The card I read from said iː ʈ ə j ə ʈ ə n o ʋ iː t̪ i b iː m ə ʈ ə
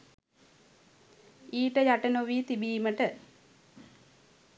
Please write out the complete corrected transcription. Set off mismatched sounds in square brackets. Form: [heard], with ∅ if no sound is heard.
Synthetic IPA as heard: iː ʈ ə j [a] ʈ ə n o ʋ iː t̪ i b iː m ə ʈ ə

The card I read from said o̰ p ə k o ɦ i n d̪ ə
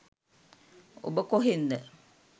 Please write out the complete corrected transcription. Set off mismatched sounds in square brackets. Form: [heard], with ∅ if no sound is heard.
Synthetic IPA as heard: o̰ [b] ə k o ɦ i n d̪ ə

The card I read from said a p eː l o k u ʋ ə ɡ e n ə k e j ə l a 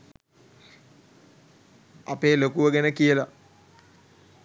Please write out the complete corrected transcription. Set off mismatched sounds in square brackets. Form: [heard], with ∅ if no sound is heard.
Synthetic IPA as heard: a p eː l o k u ʋ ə ɡ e n ə k [i] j ə l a

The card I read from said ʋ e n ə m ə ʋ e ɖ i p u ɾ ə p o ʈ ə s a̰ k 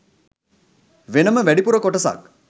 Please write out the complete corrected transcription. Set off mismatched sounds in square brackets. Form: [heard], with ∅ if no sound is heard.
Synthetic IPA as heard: ʋ e n ə m ə ʋ [æ] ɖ i p u ɾ ə [k] o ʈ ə s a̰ k

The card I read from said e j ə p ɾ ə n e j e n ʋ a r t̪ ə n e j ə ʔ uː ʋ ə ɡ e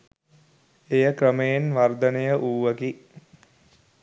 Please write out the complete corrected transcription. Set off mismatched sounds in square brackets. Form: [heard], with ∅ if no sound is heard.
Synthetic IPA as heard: e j ə [k] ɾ ə [m] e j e n ʋ a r [d̪] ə n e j ə ʔ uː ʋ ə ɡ [i]

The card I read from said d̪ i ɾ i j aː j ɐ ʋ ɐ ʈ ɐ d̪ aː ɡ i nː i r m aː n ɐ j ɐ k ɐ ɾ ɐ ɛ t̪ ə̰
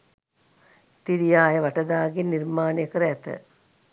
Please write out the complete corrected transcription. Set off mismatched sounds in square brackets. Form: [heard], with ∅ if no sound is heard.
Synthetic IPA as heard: [t̪] i ɾ i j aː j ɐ ʋ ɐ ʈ ɐ d̪ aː ɡ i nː i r m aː n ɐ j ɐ k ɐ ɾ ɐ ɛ t̪ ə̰

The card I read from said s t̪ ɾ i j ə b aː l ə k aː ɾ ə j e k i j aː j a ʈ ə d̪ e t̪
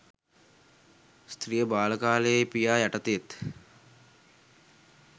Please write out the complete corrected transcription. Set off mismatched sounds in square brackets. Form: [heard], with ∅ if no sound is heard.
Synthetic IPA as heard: s t̪ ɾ i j ə b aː l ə k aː [l] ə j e [p] i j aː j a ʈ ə [t̪] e t̪

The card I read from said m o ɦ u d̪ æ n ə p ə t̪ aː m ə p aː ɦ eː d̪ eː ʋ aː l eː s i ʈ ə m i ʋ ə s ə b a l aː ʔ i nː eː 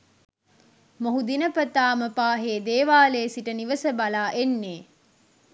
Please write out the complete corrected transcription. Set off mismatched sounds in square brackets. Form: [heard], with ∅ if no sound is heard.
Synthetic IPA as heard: m o ɦ u d̪ [i] n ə p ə t̪ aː m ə p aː ɦ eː d̪ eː ʋ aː l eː s i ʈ ə [n] i ʋ ə s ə b a l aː ʔ [e] nː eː

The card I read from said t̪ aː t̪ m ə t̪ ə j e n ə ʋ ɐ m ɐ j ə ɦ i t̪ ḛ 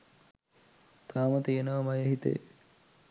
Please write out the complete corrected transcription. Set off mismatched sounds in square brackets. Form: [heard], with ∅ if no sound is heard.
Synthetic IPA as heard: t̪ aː [∅] m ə t̪ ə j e n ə ʋ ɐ m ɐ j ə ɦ i t̪ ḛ

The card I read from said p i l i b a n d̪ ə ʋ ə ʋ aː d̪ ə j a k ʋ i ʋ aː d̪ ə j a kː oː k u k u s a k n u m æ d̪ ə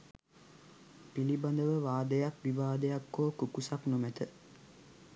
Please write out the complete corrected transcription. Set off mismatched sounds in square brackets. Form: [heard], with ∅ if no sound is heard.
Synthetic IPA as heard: p i l i b a n d̪ ə ʋ ə ʋ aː d̪ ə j a k ʋ i ʋ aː d̪ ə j a kː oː k u k u s a k n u m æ [t̪] ə

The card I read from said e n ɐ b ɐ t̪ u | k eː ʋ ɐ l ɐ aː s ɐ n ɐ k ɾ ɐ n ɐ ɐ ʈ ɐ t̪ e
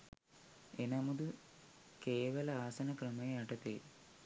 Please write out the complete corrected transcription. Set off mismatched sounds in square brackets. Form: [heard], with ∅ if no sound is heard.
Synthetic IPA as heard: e n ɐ [m] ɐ [d̪] u | k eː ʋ ɐ l ɐ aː s ɐ n ɐ k ɾ ɐ [m] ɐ ɐ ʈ ɐ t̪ e

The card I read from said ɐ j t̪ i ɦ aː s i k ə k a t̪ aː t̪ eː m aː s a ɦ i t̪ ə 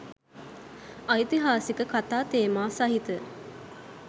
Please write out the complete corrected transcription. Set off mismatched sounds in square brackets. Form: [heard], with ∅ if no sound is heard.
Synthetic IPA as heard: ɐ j t̪ i ɦ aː s i k ə k a t̪ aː t̪ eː m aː s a ɦ i t̪ ə

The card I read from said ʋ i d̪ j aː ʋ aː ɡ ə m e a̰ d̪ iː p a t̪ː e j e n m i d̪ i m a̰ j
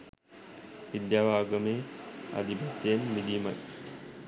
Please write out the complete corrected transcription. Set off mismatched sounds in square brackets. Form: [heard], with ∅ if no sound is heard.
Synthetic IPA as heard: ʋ i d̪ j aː ʋ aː ɡ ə m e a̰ d̪ [i] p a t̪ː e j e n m i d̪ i m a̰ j

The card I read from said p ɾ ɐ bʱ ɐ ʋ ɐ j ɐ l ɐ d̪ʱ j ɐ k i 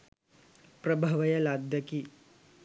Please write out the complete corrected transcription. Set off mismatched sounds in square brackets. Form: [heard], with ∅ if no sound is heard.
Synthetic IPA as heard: p ɾ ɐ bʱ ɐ ʋ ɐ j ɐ l [a] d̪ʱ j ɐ k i

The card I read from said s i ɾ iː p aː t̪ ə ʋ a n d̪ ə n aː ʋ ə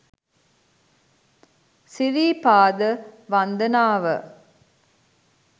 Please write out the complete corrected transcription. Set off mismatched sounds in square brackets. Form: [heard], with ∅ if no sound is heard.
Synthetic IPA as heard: s i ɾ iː p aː [d̪] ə ʋ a n d̪ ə n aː ʋ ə

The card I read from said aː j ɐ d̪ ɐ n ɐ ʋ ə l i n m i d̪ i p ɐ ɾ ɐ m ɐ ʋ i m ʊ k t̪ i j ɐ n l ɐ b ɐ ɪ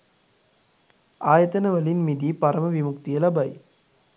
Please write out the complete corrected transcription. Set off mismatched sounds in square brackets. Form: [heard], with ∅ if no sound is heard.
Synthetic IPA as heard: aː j ɐ [t̪] ɐ n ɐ ʋ [ɐ] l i n m i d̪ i p ɐ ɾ ɐ m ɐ ʋ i m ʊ k t̪ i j ɐ [∅] l ɐ b ɐ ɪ

